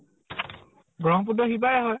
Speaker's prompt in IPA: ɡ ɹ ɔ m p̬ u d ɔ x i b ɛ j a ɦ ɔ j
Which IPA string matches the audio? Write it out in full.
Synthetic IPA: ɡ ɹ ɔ ŋ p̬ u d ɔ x i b a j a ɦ ɔ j